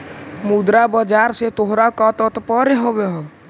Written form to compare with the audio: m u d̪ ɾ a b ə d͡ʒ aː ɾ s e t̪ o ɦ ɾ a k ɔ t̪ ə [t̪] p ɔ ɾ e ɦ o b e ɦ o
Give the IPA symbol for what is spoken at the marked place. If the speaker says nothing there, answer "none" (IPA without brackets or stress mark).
t̪